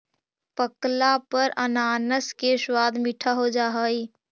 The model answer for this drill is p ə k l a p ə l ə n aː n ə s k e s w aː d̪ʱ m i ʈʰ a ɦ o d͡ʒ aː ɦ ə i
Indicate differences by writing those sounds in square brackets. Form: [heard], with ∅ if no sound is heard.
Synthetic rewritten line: p ə k l a p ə [ɾ] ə n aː n ə s k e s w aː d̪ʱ m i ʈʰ a ɦ o d͡ʒ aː ɦ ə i